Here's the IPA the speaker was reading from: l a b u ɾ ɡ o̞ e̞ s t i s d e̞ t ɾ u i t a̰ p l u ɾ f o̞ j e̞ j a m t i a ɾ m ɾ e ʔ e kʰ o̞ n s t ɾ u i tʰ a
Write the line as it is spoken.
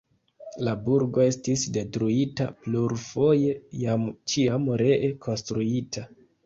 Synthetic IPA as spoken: l a b u ɾ ɡ o̞ e̞ s t i s d e̞ t ɾ u i t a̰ p l u ɾ f o̞ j e̞ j a m t͡ʃ i a m ɾ e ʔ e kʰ o̞ n s t ɾ u i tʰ a